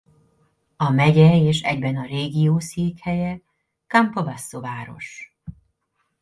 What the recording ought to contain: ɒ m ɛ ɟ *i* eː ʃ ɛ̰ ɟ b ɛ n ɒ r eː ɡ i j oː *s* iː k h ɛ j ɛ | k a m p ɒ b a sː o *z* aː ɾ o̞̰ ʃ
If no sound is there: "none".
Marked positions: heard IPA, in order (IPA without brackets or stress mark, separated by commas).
ɛ, s, v